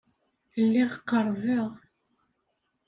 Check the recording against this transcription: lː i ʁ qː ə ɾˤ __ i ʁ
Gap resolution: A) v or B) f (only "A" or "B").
A